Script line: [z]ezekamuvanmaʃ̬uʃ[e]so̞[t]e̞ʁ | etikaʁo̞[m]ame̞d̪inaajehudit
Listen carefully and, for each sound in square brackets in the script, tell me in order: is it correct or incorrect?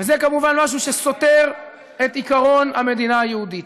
incorrect: v, correct, correct, incorrect: n

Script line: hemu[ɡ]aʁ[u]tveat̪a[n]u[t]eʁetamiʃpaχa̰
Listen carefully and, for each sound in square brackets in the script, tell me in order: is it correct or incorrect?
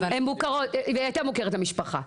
incorrect: k, incorrect: o, incorrect: m, incorrect: k

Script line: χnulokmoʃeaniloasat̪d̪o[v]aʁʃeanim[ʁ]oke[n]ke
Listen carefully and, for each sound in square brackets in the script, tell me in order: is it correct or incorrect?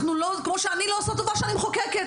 correct, incorrect: χ, incorrect: none

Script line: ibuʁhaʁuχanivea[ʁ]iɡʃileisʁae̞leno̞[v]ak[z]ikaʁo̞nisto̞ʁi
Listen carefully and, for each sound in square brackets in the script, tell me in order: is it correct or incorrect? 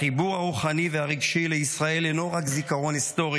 correct, incorrect: ʁ, correct

